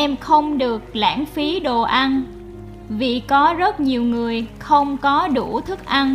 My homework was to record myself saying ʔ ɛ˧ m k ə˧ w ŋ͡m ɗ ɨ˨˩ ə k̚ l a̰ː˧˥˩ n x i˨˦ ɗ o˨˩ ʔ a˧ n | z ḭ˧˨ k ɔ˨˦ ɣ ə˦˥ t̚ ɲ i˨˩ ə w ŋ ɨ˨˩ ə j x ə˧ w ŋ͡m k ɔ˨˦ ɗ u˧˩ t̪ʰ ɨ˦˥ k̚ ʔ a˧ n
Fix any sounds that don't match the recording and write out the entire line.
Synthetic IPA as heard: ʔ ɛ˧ m x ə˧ w ŋ͡m ɗ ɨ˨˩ ə k̚ l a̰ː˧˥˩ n f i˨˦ ɗ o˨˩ ʔ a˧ n | v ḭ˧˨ k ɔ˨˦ z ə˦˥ t̚ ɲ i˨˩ ə w ŋ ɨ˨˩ ə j x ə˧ w ŋ͡m k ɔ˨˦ ɗ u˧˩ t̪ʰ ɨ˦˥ k̚ ʔ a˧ n